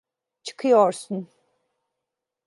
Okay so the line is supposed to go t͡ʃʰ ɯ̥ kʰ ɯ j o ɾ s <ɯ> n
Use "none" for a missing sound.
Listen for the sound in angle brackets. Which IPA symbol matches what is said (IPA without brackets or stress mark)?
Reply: u